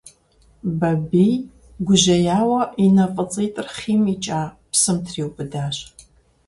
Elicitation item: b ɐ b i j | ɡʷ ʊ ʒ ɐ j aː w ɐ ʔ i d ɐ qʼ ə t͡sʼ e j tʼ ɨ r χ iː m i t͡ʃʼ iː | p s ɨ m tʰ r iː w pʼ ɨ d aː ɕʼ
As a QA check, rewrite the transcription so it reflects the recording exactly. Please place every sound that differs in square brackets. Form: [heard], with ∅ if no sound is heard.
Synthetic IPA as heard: b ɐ b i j | ɡʷ ʊ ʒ ɐ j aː w ɐ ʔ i [n] ɐ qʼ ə t͡sʼ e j tʼ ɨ r χ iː m i t͡ʃʼ [aː] | p s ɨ m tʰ r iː w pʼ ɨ d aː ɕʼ